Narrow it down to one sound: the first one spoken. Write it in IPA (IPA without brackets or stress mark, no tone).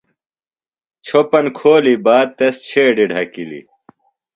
t͡ɕʰ